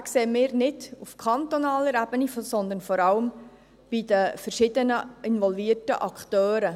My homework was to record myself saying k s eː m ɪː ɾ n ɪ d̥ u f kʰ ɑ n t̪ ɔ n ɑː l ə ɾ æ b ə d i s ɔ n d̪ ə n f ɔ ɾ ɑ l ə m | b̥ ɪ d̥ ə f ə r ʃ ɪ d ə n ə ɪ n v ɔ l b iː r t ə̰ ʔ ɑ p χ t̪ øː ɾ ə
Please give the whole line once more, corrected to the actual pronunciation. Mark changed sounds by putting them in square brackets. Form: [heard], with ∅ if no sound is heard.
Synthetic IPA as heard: k s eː m ɪː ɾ n ɪ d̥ u f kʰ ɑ n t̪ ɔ n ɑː l ə ɾ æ b ə [n] i s ɔ n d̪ ə n f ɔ ɾ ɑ l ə m | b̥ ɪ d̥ ə f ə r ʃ ɪ d ə n ə ɪ n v ɔ l [v] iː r t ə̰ ʔ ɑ [k] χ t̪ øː ɾ ə